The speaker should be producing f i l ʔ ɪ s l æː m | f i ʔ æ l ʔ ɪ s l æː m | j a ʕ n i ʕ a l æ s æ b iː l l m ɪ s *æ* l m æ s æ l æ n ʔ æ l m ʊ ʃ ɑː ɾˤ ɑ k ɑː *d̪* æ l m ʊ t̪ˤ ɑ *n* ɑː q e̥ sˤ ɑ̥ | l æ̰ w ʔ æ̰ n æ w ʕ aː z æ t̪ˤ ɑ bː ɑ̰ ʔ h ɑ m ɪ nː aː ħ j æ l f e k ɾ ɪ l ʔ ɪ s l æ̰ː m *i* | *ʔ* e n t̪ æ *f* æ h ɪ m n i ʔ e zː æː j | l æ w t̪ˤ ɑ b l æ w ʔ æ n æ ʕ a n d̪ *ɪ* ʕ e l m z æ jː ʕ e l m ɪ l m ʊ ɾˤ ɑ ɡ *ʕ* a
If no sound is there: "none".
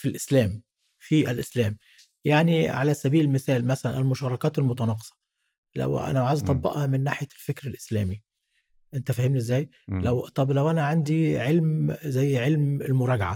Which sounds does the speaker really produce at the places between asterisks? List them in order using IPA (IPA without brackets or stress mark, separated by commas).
æː, t̪, n, i, ʔ, f, i, ʕ